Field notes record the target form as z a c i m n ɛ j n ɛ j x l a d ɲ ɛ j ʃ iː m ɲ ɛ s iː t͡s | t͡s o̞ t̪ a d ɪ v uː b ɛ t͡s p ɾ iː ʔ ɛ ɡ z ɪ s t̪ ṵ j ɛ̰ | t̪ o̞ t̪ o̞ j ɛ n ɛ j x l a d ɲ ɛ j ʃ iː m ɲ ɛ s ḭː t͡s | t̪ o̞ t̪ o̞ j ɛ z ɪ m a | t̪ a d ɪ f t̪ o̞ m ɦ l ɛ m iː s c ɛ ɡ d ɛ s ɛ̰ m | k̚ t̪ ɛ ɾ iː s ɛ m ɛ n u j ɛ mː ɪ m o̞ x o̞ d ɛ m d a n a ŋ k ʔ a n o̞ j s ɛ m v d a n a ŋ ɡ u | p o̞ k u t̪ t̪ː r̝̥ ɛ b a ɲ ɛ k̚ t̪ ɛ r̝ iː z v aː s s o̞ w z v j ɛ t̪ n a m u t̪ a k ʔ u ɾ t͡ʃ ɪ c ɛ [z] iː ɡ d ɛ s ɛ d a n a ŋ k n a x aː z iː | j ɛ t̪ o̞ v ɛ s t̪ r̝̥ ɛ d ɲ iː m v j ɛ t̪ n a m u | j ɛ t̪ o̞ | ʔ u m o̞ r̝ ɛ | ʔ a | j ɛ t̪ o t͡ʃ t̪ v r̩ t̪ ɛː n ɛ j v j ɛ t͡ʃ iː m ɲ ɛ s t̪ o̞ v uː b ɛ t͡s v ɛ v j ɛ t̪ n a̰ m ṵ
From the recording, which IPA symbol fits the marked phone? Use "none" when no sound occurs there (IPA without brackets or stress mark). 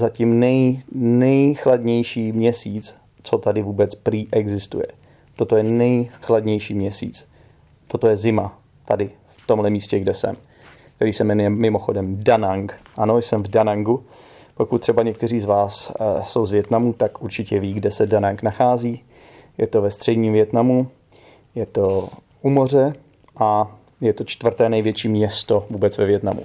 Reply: v